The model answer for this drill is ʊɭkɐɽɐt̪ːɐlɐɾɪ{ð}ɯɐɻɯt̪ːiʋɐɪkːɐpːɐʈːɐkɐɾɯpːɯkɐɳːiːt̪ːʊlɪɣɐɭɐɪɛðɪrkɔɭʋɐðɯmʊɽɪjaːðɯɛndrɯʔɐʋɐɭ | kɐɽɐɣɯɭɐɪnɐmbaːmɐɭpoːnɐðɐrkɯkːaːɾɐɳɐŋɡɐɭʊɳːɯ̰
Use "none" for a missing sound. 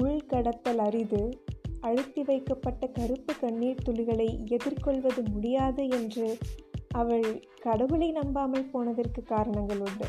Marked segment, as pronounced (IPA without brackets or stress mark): ð